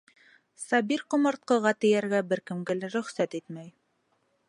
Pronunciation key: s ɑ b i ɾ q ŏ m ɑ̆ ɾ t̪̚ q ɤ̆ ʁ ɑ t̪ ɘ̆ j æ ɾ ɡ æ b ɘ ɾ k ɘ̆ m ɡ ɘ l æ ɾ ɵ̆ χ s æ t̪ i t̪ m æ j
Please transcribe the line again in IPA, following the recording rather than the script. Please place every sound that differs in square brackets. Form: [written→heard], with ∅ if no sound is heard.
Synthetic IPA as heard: s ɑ b i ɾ q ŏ m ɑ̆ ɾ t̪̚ q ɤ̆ ʁ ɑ t̪ ɘ̆ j æ ɾ ɡ æ b ɘ ɾ k ɘ̆ m ɡ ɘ l æ ɾ ɵ̆ χ s æ t̪ i t̪ m æ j